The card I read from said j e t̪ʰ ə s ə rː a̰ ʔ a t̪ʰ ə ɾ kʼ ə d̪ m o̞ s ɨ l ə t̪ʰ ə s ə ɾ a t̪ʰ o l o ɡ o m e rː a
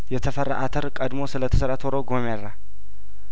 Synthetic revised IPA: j ɛ t̪ʰ ə f ə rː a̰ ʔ a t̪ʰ ə ɾ kʼ ə d̪ m o̞ s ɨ l ə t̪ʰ ə s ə ɾ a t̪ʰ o ɾ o ɡ o m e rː a